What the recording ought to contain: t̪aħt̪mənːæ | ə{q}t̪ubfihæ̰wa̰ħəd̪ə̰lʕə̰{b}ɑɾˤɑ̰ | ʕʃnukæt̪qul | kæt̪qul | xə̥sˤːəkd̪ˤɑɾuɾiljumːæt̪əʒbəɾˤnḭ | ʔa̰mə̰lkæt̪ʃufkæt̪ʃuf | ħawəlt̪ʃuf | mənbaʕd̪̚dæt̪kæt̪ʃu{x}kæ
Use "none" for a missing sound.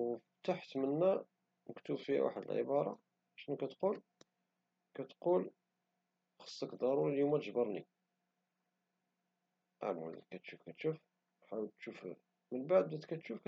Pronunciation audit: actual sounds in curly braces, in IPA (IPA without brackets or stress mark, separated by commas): k, b, f